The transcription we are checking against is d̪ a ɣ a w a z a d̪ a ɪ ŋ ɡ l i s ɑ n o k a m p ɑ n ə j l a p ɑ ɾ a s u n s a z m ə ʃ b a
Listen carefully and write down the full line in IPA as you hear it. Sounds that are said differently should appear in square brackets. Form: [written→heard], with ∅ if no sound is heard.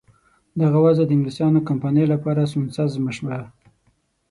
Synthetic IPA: d̪ a ɣ a w a z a d̪ [a→ə] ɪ ŋ ɡ l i s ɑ n o k a m p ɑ n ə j l a p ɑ ɾ a s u n s a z m ə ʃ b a